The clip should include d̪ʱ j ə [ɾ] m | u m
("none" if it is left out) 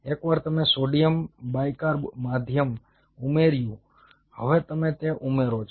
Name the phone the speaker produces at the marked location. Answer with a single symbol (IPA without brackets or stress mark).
none